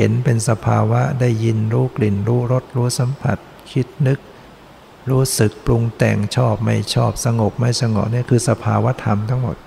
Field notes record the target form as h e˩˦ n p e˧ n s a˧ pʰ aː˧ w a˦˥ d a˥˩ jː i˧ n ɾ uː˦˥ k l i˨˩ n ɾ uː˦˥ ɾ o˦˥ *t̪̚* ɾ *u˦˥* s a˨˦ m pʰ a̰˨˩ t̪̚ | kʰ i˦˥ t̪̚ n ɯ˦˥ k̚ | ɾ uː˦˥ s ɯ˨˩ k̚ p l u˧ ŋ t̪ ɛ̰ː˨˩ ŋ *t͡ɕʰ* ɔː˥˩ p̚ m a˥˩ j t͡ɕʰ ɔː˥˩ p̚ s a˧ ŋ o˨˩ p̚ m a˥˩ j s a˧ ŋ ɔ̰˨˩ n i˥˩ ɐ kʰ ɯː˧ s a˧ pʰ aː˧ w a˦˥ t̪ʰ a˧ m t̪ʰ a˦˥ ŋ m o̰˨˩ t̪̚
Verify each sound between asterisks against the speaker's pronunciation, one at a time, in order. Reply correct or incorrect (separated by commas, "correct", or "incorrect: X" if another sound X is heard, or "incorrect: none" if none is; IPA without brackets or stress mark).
correct, incorrect: uː˦˥, correct